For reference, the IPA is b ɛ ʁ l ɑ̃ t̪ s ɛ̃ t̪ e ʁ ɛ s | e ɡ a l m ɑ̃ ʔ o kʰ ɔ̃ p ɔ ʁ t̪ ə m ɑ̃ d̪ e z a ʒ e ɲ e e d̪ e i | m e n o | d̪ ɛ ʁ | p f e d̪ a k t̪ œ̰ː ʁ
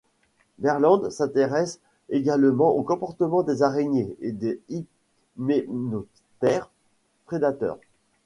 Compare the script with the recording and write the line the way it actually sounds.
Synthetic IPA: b ɛ ʁ l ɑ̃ d̪ s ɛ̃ t̪ e ʁ ɛ s | e ɡ a l m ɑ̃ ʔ o k ɔ̃ p ɔ ʁ t̪ ə m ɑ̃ d̪ e z a ʁ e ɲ e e d̪ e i | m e n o | t̪ ɛ ʁ | p χ e d̪ a t̪ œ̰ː ʁ